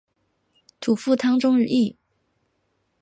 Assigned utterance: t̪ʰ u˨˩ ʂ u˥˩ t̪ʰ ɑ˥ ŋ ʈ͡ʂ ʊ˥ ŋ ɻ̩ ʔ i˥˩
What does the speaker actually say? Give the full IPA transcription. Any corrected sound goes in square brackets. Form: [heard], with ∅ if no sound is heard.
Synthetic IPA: t̪ʰ u˨˩ [f] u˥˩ t̪ʰ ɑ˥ ŋ ʈ͡ʂ ʊ˥ ŋ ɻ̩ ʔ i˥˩